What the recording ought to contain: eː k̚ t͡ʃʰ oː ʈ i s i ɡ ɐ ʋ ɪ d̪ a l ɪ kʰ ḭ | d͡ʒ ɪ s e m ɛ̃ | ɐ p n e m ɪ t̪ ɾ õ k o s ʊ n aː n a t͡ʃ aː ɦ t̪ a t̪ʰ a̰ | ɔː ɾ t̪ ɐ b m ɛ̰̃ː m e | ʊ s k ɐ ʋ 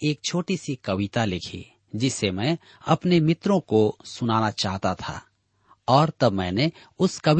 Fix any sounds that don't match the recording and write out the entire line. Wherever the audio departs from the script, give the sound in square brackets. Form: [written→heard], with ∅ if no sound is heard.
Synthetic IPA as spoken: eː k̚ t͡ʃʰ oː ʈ i s i [ɡ→k] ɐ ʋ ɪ [d̪→t̪] a l ɪ kʰ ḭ | d͡ʒ ɪ s e m ɛ̃ | ɐ p n e m ɪ t̪ ɾ õ k o s ʊ n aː n a t͡ʃ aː ɦ t̪ a t̪ʰ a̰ | ɔː ɾ t̪ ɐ b m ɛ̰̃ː [m→n] e | ʊ s k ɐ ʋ